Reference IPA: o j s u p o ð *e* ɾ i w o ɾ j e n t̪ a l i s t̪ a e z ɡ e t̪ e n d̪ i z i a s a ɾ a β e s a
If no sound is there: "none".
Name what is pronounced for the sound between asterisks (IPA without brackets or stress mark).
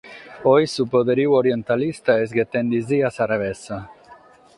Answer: e